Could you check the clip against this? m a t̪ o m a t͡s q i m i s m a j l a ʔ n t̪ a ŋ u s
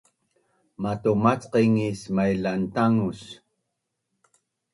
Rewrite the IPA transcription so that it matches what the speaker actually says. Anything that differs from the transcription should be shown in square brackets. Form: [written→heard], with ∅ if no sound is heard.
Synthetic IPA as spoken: m a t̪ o m a t͡s q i [m→ŋ] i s m a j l a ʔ n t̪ a ŋ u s